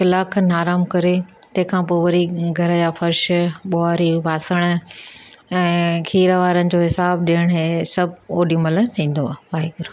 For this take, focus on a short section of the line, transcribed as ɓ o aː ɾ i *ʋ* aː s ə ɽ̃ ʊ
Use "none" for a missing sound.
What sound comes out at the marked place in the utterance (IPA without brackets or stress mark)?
ʋ